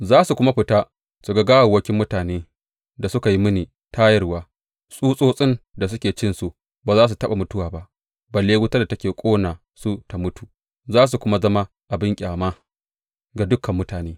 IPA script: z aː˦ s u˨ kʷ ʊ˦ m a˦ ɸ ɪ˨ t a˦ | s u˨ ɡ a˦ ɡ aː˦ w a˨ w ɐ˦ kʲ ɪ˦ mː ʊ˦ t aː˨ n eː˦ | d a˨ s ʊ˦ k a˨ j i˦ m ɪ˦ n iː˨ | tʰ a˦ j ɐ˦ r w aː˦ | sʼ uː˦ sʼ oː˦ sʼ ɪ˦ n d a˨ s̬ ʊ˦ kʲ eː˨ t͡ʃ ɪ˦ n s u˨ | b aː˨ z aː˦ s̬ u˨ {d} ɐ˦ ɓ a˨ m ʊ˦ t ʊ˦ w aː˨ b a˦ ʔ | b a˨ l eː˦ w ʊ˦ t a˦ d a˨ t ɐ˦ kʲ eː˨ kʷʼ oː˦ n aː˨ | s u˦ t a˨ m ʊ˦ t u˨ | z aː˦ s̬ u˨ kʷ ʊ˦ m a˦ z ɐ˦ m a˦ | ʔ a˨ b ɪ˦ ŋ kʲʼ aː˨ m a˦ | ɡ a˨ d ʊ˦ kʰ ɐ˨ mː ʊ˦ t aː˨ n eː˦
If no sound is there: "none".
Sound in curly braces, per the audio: t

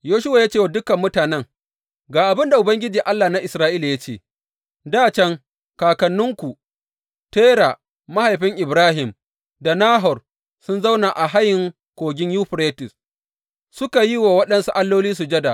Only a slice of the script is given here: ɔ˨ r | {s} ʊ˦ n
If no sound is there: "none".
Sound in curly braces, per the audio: s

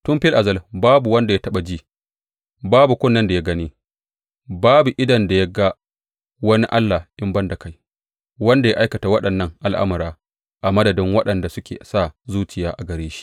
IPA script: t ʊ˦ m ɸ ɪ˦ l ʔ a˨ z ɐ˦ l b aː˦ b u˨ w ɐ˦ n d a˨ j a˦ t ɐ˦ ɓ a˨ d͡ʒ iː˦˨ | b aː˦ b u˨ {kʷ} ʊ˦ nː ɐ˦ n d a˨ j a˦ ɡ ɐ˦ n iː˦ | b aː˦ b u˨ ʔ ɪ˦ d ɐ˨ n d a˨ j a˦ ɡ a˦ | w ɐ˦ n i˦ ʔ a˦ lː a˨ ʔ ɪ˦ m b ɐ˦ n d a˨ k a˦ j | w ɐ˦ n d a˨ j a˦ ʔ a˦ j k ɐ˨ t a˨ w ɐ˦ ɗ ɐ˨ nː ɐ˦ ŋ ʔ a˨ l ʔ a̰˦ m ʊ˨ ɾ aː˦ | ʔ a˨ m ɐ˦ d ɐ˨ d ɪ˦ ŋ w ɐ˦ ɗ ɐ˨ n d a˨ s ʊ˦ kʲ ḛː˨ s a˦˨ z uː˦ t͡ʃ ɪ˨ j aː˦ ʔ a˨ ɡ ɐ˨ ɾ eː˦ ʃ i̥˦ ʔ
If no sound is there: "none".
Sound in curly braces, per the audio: kʷ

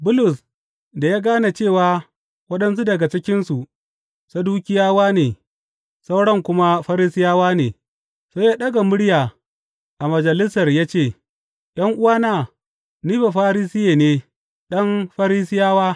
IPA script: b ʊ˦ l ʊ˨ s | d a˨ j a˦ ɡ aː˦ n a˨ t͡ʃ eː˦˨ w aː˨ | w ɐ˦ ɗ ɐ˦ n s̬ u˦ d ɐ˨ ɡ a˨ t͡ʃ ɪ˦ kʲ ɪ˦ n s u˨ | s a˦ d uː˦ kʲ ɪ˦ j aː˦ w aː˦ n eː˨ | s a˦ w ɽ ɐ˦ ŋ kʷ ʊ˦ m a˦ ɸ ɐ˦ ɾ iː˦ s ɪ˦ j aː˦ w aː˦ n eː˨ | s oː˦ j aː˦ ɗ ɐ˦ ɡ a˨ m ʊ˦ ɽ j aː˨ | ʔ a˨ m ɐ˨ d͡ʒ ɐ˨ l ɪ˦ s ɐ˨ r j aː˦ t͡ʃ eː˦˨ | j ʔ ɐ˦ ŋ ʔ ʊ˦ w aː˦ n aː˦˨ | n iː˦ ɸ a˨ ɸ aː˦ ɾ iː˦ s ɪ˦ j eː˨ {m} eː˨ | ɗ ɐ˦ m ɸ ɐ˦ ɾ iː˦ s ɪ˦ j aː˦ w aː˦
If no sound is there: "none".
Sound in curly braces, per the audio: n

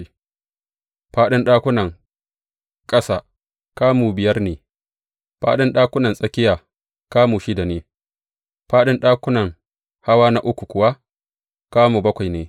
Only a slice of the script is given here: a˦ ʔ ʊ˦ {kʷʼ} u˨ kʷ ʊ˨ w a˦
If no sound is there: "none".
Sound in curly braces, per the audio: kʷ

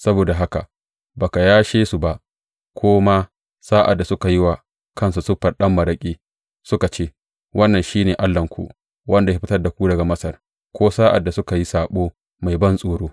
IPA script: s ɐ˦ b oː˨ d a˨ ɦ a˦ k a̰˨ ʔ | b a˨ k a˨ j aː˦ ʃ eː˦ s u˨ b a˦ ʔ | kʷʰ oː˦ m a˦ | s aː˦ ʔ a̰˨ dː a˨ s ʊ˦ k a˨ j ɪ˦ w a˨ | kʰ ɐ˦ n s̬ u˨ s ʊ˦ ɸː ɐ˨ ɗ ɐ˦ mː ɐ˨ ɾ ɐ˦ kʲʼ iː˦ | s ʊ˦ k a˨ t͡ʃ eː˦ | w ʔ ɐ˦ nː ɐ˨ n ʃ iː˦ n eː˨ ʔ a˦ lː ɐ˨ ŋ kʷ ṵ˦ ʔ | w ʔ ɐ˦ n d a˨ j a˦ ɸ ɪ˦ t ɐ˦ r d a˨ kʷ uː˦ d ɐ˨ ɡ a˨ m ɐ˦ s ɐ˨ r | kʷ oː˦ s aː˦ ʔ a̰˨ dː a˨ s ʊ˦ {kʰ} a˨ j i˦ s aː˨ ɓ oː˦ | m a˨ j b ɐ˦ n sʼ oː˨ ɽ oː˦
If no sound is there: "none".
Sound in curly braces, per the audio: k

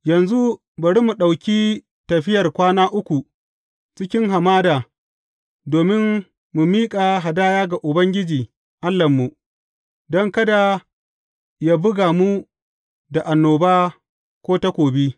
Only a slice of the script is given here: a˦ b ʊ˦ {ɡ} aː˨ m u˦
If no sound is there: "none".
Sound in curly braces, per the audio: ɡ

